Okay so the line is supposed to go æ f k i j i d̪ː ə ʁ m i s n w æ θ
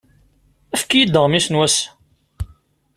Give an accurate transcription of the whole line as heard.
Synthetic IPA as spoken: æ f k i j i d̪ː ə ʁ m i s n w æ s